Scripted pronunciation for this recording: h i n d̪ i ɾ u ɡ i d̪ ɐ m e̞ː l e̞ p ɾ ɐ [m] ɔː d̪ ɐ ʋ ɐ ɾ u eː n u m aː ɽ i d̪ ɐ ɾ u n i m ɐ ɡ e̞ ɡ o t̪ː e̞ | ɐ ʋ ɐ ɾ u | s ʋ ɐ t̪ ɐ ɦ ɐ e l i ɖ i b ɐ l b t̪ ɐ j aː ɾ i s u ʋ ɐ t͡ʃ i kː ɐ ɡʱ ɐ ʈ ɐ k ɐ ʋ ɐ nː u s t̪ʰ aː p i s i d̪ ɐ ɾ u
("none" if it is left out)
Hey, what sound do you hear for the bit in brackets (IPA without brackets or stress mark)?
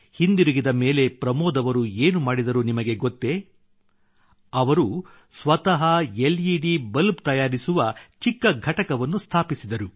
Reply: m